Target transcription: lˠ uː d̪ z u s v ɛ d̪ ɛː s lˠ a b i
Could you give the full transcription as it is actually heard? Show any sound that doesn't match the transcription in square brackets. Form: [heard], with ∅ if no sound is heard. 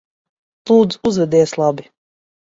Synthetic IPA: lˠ uː d̪ z u [z] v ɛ d̪ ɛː s lˠ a b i